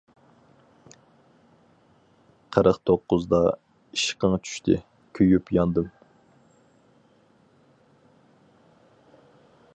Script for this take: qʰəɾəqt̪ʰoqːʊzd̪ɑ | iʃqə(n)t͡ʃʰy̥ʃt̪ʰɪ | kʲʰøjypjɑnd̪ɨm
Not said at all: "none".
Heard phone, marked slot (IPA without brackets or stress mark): ŋ